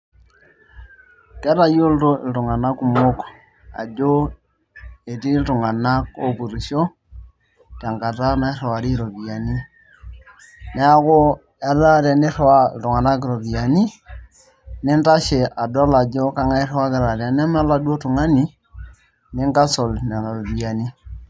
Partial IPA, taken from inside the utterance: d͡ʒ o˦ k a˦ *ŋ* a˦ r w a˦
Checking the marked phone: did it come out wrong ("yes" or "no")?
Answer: no